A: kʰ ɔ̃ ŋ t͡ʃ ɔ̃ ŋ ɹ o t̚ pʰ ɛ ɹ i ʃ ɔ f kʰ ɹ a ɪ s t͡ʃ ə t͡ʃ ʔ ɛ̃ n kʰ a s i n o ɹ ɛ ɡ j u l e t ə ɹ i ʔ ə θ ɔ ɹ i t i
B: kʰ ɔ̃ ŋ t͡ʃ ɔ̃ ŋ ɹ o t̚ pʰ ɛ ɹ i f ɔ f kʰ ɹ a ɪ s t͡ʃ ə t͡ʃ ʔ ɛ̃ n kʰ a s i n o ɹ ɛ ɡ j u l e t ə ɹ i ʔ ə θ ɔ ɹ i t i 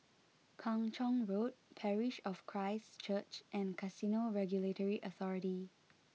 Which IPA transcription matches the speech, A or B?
A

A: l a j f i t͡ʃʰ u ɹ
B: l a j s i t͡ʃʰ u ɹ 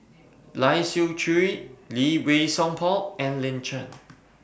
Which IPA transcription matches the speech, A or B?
B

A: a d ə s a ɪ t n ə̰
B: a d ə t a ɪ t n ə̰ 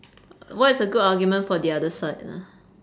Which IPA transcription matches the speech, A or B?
A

